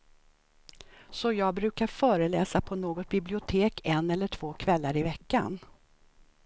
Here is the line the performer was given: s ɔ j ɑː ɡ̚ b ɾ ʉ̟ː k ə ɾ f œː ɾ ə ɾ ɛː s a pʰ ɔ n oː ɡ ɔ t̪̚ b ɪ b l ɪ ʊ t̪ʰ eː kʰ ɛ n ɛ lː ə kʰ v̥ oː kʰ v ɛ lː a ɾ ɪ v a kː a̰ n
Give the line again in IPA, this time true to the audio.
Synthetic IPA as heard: s ɔ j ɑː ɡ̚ b ɾ ʉ̟ː k a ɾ f œː ɾ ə l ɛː s a pʰ ɔ n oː ɡ ɔ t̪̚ b ɪ b l ɪ ʊ t̪ʰ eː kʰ ɛ n ɛ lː ə ʈʰ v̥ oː kʰ v ɛ lː a ɾ ɪ v ɛ kː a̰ n